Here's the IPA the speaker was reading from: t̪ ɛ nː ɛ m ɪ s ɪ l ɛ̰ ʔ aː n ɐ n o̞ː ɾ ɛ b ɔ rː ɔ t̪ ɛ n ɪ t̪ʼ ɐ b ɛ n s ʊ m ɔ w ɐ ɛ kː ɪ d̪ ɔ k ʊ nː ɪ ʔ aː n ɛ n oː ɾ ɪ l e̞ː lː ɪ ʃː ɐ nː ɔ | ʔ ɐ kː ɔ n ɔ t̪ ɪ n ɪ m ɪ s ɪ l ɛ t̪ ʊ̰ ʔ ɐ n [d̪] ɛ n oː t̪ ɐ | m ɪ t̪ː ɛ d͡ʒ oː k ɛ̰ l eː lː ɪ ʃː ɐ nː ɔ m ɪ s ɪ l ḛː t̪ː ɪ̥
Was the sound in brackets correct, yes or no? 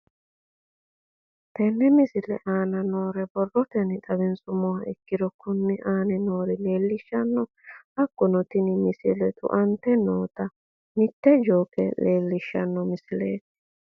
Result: no